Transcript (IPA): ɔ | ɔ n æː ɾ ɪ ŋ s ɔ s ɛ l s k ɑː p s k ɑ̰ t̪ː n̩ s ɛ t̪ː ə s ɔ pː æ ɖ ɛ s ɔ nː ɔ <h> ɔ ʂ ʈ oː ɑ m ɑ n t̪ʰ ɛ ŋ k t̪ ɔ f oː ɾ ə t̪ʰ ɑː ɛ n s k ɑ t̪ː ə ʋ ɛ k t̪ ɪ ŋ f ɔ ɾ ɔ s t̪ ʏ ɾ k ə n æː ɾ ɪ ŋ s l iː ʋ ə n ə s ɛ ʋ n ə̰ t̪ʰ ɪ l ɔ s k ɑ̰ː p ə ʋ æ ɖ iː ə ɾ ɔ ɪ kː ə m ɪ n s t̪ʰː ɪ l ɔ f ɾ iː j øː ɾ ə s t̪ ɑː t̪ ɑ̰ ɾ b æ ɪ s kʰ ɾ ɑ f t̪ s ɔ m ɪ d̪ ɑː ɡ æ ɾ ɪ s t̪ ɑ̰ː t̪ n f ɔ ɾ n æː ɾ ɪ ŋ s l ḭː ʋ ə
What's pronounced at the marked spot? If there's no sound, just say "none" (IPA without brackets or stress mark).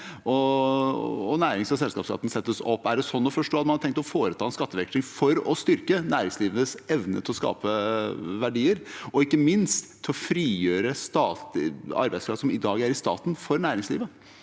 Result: f